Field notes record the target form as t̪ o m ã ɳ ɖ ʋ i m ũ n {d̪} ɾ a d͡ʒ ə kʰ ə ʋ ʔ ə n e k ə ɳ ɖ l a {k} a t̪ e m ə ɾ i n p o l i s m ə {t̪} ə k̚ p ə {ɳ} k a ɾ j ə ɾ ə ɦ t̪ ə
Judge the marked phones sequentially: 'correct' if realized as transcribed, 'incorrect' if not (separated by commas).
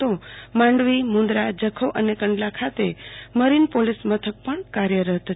correct, incorrect, incorrect, correct